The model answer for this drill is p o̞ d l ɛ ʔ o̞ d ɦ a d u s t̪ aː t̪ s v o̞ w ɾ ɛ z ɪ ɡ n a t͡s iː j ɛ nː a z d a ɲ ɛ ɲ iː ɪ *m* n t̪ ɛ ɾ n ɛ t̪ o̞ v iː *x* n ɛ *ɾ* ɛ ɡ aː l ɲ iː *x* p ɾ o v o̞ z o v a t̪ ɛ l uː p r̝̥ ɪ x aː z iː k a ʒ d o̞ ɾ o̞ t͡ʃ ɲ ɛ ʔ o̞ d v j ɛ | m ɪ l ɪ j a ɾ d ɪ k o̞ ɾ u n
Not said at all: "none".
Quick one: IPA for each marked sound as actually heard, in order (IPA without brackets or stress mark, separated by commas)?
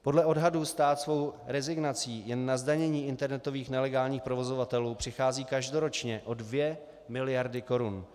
none, x, l, x